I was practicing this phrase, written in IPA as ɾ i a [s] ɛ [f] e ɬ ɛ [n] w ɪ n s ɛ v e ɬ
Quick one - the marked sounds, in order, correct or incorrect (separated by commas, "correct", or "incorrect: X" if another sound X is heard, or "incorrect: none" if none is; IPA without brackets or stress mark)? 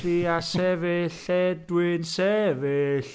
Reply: correct, incorrect: v, incorrect: d